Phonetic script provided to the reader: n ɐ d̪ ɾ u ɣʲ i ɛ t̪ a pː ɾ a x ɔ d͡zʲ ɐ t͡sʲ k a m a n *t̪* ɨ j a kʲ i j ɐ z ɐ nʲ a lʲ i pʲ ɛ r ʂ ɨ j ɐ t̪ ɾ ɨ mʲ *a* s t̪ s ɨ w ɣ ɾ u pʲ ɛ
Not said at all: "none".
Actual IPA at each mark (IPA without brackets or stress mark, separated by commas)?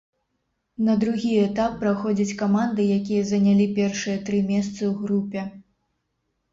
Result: d̪, ɛ